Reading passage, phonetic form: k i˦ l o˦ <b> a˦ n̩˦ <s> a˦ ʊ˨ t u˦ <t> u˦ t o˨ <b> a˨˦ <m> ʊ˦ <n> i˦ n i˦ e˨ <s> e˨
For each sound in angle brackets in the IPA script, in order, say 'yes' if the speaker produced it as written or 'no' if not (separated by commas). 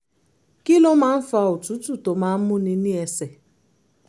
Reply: no, no, yes, no, yes, yes, yes